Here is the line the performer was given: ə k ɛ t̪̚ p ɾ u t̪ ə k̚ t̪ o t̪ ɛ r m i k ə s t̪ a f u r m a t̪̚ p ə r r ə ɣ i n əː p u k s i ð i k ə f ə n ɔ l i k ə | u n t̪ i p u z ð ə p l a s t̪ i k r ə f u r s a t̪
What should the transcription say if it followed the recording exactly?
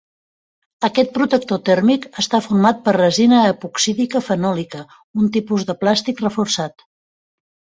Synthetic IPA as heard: ə k ɛ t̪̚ p ɾ u t̪ ə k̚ t̪ o t̪ ɛ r m i k ə s t̪ a f u r m a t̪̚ p ə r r ə z i n əː p u k s i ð i k ə f ə n ɔ l i k ə | u n t̪ i p u z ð ə p l a s t̪ i k r ə f u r s a t̪